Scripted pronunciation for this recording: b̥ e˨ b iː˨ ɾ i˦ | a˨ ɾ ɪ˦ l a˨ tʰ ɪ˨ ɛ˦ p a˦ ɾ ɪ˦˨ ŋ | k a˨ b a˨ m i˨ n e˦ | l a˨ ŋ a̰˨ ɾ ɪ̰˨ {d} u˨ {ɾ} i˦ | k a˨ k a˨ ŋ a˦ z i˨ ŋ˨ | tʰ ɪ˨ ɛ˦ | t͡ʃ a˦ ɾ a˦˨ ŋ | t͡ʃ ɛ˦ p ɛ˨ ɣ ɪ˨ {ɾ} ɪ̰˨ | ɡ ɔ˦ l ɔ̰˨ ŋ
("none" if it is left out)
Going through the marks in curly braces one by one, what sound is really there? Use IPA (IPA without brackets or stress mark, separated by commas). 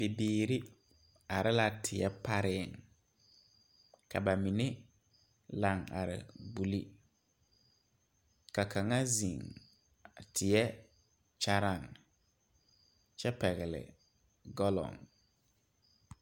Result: b, l, l